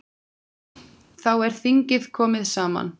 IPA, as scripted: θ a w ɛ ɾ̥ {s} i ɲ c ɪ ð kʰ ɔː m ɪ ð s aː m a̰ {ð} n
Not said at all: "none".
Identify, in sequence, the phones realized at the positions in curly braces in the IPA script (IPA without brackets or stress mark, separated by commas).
θ, none